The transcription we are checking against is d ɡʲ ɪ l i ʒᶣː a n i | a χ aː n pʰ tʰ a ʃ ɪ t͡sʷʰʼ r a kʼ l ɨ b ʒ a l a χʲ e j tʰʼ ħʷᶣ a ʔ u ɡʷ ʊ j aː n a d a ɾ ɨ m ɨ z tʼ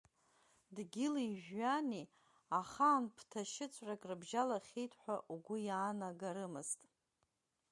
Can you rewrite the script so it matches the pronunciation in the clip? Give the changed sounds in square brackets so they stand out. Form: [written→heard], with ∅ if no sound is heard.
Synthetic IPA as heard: d ɡʲ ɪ l i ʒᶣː a n i | a χ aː n pʰ tʰ a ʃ ɪ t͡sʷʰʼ r a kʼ [l→r] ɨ b ʒ a l a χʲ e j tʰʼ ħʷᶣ a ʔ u ɡʷ ʊ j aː n a [d→ɡ] a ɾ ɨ m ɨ z tʼ